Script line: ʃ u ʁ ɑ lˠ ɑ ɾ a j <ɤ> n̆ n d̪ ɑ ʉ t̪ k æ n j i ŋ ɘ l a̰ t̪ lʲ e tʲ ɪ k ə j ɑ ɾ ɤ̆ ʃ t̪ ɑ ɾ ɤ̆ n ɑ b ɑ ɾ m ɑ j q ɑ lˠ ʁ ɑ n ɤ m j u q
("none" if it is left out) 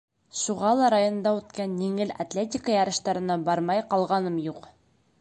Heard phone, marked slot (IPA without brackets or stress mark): o